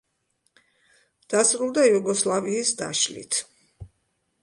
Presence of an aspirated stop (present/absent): present